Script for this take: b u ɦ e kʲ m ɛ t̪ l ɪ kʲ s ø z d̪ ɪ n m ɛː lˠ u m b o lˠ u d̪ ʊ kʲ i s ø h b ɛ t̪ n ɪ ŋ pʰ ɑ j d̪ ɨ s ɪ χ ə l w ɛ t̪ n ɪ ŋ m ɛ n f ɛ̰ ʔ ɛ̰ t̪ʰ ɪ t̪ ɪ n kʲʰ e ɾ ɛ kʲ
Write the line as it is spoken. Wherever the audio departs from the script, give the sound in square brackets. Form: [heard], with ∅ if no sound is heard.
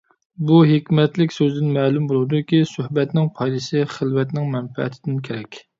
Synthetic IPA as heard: b u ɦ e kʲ m ɛ t̪ l ɪ kʲ s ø z d̪ ɪ n m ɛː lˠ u m b o lˠ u d̪ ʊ kʲ i s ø h b ɛ t̪ n ɪ ŋ pʰ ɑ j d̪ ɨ s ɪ χ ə l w ɛ t̪ n ɪ ŋ m ɛ n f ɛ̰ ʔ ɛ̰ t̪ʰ ɪ [d̪] ɪ n kʲʰ e ɾ ɛ kʲ